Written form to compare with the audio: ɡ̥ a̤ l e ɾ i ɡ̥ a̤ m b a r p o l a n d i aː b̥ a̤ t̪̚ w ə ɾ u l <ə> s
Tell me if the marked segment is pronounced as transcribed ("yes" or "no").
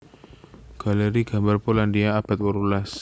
no